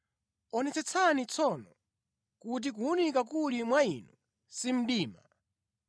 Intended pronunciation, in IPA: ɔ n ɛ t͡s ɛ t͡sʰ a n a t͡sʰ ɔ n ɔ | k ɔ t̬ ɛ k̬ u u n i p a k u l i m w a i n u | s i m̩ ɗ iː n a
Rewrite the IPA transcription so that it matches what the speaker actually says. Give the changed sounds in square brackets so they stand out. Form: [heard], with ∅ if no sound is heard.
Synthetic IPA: ɔ n ɛ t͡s ɛ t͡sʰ a n [i] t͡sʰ ɔ n ɔ | k [u] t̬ [i] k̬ u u n i [k] a k u l i m w a i n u | s i m̩ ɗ iː [m] a